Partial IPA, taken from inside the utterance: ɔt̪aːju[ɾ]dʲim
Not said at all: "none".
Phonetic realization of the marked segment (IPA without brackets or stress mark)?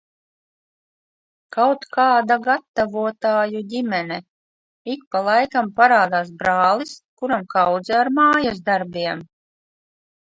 none